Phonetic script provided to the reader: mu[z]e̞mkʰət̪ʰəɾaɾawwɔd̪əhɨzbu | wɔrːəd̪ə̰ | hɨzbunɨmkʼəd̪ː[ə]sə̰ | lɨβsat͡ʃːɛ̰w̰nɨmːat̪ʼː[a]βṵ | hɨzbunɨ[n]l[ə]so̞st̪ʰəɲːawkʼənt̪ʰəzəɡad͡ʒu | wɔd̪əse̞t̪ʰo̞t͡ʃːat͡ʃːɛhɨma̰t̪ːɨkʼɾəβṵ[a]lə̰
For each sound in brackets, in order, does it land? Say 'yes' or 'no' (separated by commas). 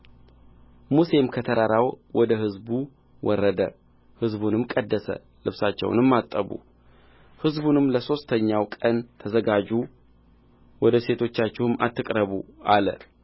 no, yes, no, no, yes, yes